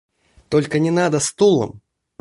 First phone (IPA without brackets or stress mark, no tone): t̪